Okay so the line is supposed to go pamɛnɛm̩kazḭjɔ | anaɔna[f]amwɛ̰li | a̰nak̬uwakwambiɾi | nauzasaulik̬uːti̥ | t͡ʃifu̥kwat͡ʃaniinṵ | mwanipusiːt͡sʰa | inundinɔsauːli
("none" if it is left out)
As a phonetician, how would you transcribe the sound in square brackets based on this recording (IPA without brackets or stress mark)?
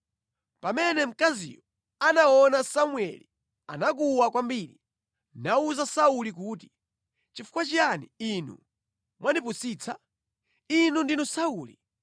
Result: s